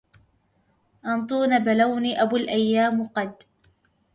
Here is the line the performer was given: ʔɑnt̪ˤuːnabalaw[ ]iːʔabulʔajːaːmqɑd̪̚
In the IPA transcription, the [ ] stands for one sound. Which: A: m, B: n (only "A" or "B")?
B